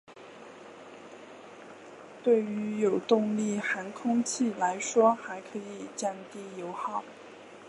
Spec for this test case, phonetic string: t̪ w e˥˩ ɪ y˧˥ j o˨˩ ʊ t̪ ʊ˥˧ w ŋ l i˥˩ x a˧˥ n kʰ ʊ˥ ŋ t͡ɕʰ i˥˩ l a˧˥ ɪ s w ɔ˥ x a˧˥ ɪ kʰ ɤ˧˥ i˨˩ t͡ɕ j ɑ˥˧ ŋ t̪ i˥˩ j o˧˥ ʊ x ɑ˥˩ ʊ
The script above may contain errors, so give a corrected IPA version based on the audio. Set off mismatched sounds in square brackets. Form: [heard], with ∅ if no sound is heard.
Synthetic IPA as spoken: t̪ w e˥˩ ɪ y˧˥ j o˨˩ ʊ t̪ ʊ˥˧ [∅] ŋ l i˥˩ x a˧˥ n kʰ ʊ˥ ŋ t͡ɕʰ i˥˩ l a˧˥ ɪ [ʂ] w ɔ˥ x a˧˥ ɪ kʰ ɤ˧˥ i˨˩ t͡ɕ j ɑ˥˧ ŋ t̪ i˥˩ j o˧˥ ʊ x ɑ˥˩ ʊ